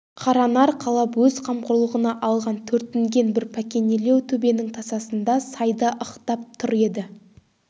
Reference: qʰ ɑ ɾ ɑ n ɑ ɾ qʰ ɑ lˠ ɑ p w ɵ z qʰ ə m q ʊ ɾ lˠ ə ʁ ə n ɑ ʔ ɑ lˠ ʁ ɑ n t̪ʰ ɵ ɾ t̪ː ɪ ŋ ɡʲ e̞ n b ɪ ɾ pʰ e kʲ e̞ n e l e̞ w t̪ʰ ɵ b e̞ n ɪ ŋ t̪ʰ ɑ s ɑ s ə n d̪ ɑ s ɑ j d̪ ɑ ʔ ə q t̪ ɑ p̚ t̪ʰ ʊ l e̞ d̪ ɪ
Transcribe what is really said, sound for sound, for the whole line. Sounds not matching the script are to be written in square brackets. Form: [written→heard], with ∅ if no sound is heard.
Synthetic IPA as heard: qʰ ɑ ɾ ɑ n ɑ ɾ qʰ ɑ lˠ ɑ p w ɵ z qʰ [ə→ɑ] m q ʊ ɾ lˠ ə ʁ ə n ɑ ʔ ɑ lˠ ʁ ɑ n t̪ʰ ɵ ɾ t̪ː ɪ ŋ ɡʲ e̞ n b ɪ ɾ pʰ [e→æ] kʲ e̞ n e l e̞ w t̪ʰ ɵ b e̞ n ɪ ŋ t̪ʰ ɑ s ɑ s ə n d̪ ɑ s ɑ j d̪ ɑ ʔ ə q t̪ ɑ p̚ t̪ʰ ʊ [l→ɾ] e̞ d̪ ɪ